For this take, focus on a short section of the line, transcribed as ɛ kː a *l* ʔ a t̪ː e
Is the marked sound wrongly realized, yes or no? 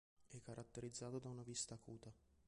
yes